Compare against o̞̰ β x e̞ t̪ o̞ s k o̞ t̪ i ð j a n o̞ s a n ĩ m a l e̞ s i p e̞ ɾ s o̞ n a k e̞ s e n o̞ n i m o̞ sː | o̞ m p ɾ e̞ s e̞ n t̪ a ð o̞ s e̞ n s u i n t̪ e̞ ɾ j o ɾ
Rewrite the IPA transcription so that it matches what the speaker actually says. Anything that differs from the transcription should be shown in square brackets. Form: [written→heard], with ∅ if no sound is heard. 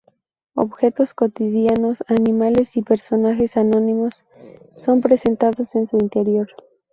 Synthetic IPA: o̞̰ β x e̞ t̪ o̞ s k o̞ t̪ i ð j a n o̞ s a n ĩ m a l e̞ s i p e̞ ɾ s o̞ n a [k→x] e̞ s [e→a] n o̞ n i m o̞ sː | o̞ m p ɾ e̞ s e̞ n t̪ a ð o̞ s e̞ n s u i n t̪ e̞ ɾ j o ɾ

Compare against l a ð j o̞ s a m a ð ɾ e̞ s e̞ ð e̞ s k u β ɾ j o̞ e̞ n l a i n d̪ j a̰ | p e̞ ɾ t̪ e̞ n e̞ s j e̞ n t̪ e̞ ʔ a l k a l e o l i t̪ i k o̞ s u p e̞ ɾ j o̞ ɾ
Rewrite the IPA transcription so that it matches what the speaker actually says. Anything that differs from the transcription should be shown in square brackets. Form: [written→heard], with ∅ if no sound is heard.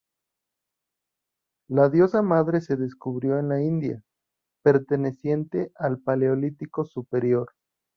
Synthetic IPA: l a ð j o̞ s a m a ð ɾ e̞ s e̞ ð e̞ s k u β ɾ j o̞ e̞ n l a i n d̪ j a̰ | p e̞ ɾ t̪ e̞ n e̞ s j e̞ n t̪ e̞ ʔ a l [k→p] a l e o l i t̪ i k o̞ s u p e̞ ɾ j o̞ ɾ

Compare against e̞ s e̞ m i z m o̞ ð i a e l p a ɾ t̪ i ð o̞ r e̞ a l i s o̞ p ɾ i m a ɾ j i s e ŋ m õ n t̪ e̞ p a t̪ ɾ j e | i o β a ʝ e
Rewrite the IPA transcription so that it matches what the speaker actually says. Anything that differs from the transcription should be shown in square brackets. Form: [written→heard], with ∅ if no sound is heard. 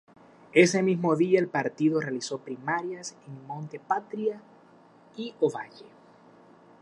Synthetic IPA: e̞ s e̞ m i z m o̞ ð i a e l p a ɾ t̪ i ð o̞ r e̞ a l i s o̞ p ɾ i m a ɾ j [i→a] s e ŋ m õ n t̪ e̞ p a t̪ ɾ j [e→a] | i o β a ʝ e

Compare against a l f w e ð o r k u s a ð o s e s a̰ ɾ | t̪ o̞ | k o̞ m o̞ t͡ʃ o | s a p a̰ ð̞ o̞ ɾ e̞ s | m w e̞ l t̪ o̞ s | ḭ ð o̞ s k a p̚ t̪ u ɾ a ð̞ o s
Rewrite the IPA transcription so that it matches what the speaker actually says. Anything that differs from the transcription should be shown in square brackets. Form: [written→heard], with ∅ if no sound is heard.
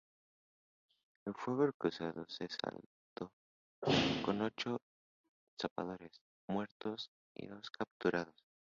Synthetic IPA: [a→e] l f w e [ð→ɣ] o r k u s a ð o s e s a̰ [ɾ→l] | t̪ o̞ | k o̞ [m→n] o̞ t͡ʃ o | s a p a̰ ð̞ o̞ ɾ e̞ s | m w e̞ [l→ɾ] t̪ o̞ s | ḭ ð o̞ s k a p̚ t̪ u ɾ a ð̞ o s

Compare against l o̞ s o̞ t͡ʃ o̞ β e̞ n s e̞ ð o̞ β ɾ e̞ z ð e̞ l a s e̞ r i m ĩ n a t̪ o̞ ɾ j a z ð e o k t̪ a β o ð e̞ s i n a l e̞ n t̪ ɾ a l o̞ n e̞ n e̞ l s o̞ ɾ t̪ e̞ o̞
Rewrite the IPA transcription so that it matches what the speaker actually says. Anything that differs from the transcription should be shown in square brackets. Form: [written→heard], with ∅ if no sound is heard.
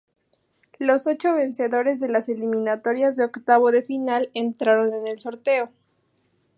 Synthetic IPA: l o̞ s o̞ t͡ʃ o̞ β e̞ n s e̞ ð o̞ [β→∅] ɾ e̞ z ð e̞ l a s e̞ [r→l] i m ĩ n a t̪ o̞ ɾ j a z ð e o k t̪ a β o ð e̞ [s→f] i n a l e̞ n t̪ ɾ a [l→ɾ] o̞ n e̞ n e̞ l s o̞ ɾ t̪ e̞ o̞

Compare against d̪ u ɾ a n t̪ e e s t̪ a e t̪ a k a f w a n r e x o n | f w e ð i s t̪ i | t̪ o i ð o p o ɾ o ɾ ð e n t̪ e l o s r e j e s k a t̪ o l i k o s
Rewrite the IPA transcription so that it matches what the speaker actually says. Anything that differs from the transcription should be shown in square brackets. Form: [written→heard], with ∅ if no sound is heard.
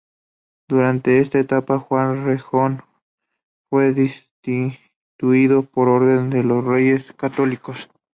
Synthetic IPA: d̪ u ɾ a n t̪ e e s t̪ a e t̪ a [k→p] a [f→x] w a n r e x o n | f w e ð i s t̪ i | t̪ [o→u] i ð o p o ɾ o ɾ ð e n [t̪→d̪] e l o s r e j e s k a t̪ o l i k o s

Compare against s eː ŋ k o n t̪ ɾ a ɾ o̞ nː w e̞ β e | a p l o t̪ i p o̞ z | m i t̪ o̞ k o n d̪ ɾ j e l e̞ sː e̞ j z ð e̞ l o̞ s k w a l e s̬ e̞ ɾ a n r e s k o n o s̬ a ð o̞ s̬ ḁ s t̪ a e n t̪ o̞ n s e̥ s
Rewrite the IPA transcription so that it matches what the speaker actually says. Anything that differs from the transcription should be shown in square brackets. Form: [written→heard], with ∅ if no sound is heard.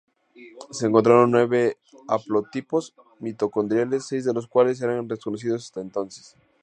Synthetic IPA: s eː ŋ k o n t̪ ɾ a ɾ o̞ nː w e̞ β e | a p l o t̪ i p o̞ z | m i t̪ o̞ k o n d̪ ɾ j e l e̞ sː e̞ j z ð e̞ l o̞ s k w a l e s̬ e̞ ɾ a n r e s k o n o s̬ [a→i] ð o̞ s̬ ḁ s t̪ a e n t̪ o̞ n s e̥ s

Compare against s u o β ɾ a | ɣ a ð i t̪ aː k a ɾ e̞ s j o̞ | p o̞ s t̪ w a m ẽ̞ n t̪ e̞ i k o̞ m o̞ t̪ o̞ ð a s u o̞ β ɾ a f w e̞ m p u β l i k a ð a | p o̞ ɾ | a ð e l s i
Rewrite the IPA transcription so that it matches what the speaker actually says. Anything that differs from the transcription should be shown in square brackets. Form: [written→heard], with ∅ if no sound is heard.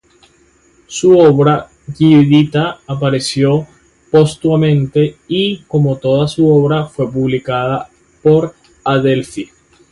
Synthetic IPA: s u o β ɾ a | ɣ [a→i] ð i t̪ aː [k→p] a ɾ e̞ s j o̞ | p o̞ s t̪ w a m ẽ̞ n t̪ e̞ i k o̞ m o̞ t̪ o̞ ð a s u o̞ β ɾ a f w e̞ [m→∅] p u β l i k a ð a | p o̞ ɾ | a ð e l [s→f] i

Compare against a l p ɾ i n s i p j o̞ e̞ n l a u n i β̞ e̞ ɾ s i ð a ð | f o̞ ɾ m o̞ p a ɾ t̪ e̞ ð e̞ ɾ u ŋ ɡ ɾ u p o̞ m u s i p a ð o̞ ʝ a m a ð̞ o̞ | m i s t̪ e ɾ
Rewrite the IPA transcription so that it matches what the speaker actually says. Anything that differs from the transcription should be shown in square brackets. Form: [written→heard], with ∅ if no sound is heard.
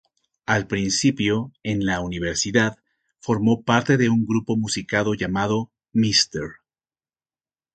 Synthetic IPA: a l p ɾ i n s i p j o̞ e̞ n l a u n i β̞ e̞ ɾ s i ð a ð | f o̞ ɾ m o̞ p a ɾ t̪ e̞ ð e̞ [ɾ→∅] u ŋ ɡ ɾ u p o̞ m u s i [p→k] a ð o̞ ʝ a m a ð̞ o̞ | m i s t̪ e ɾ

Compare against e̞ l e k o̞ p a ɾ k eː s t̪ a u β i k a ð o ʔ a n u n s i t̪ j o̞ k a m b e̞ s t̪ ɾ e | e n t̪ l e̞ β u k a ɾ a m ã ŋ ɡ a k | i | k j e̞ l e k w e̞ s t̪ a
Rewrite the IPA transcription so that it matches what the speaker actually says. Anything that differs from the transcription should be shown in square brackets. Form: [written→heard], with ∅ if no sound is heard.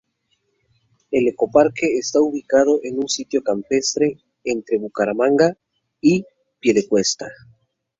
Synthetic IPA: e̞ l e k o̞ p a ɾ k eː s t̪ a u β i k a ð o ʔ [a→e] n u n s i t̪ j o̞ k a m [b→p] e̞ s t̪ ɾ e | e n t̪ [l→ɾ] e̞ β u k a ɾ a m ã ŋ ɡ a [k→∅] | i | [k→p] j e̞ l e k w e̞ s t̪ a

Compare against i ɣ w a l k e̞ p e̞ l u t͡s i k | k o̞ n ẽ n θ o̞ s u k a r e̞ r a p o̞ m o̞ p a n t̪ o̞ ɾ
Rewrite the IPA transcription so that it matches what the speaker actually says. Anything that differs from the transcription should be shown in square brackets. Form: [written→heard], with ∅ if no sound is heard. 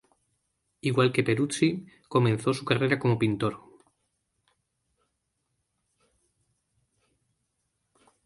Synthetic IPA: i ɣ w a l k e̞ p e̞ [l→ɾ] u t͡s i [k→∅] | k o̞ [n→m] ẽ n θ o̞ s u k a r e̞ [r→ɾ] a [p→k] o̞ m o̞ p [a→i] n t̪ o̞ ɾ

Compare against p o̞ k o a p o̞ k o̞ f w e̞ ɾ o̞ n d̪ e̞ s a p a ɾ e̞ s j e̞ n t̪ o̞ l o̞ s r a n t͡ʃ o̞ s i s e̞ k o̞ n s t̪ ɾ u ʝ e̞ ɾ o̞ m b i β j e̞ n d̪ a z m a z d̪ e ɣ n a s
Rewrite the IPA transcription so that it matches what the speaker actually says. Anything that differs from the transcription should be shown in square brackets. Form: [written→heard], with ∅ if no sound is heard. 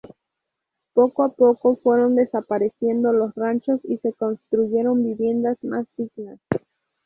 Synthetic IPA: p o̞ k o a p o̞ k o̞ f w e̞ ɾ o̞ n d̪ e̞ s a p a ɾ e̞ s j e̞ n [t̪→d̪] o̞ l o̞ s r a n t͡ʃ o̞ s i s e̞ k o̞ n s t̪ ɾ u ʝ e̞ ɾ o̞ m b i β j e̞ n d̪ a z m a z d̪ [e→i] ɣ n a s

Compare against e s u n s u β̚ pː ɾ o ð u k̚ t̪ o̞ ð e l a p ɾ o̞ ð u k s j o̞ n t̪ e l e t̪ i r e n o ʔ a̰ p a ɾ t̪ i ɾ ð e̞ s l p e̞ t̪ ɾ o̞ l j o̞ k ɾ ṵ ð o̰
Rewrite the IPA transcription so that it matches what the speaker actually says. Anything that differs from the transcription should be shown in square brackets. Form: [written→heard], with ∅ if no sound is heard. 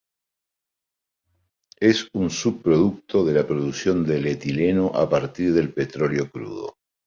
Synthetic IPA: e s u n s u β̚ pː ɾ o ð u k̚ t̪ o̞ ð e l a p ɾ o̞ ð u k s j o̞ n [t̪→d̪] e l e t̪ i [r→l] e n o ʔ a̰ p a ɾ t̪ i ɾ ð e̞ [s→∅] l p e̞ t̪ ɾ o̞ l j o̞ k ɾ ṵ ð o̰

